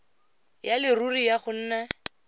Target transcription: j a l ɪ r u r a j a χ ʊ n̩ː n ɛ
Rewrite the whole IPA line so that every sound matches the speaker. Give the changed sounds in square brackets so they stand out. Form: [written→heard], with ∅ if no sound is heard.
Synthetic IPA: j a l ɪ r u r [a→i] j a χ ʊ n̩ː n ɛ